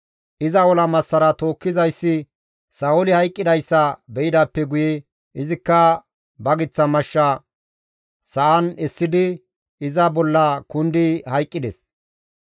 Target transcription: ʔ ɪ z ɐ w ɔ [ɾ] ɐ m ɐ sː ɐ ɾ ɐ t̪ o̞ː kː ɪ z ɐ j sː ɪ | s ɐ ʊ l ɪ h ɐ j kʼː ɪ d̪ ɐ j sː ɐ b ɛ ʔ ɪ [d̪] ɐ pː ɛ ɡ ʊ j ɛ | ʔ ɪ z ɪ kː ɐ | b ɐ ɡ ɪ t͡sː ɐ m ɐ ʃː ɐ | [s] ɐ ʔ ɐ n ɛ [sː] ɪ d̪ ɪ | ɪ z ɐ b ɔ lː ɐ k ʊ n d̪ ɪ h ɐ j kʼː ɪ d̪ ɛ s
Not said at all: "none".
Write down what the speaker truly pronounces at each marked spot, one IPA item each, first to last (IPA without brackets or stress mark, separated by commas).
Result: l, d̪, s, sː